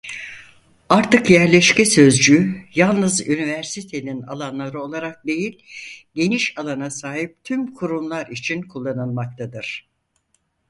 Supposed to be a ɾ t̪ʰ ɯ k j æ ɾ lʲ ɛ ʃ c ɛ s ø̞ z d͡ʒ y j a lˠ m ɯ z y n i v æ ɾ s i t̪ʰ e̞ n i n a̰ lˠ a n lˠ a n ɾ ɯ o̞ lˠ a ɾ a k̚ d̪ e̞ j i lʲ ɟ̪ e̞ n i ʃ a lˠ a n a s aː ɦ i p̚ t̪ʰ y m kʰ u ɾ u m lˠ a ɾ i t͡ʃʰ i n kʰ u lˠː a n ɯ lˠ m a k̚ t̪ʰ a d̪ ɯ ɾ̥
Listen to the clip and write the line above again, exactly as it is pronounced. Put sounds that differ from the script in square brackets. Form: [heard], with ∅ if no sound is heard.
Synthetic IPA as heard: a ɾ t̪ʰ ɯ k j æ ɾ lʲ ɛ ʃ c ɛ s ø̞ z d͡ʒ y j a lˠ [n] ɯ z y n i v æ ɾ s i t̪ʰ e̞ n i n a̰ lˠ a n lˠ a [∅] ɾ ɯ o̞ lˠ a ɾ a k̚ d̪ e̞ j i lʲ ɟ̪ e̞ n i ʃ a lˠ a n a s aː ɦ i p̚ t̪ʰ y m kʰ u ɾ u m lˠ a ɾ i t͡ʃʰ i n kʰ u lˠː a n ɯ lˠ m a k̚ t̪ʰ a d̪ ɯ ɾ̥